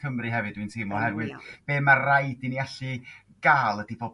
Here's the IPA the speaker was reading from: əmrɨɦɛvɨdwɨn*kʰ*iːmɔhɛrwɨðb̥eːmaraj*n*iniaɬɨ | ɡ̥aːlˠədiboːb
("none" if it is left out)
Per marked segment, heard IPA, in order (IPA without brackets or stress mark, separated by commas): tʰ, d